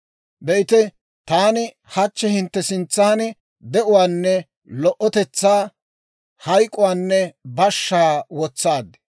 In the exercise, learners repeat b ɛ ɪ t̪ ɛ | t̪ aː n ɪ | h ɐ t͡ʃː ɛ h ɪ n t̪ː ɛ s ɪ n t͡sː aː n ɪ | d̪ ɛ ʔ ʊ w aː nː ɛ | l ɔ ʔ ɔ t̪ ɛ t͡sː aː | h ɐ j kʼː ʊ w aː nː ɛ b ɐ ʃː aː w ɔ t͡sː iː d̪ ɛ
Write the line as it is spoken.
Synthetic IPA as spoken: b ɛ ɪ t̪ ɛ | t̪ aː n ɪ | h ɐ t͡ʃː ɛ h ɪ n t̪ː ɛ s ɪ n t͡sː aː n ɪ | d̪ ɛ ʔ ʊ w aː nː ɛ | l ɔ ʔ ɔ t̪ ɛ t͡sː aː | h ɐ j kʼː ʊ w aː nː ɛ b ɐ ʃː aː w ɔ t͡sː aː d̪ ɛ